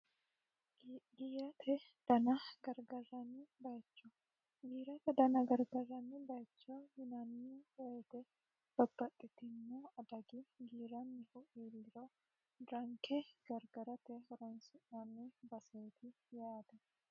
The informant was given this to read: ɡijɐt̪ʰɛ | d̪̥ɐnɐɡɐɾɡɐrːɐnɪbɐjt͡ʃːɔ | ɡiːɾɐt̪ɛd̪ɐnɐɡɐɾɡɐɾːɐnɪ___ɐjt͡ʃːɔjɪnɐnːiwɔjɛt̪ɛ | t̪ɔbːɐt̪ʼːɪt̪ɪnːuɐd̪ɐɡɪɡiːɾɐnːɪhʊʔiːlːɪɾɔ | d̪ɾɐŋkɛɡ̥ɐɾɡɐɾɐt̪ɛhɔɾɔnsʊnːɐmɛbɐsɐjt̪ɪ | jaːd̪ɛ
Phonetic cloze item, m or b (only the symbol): b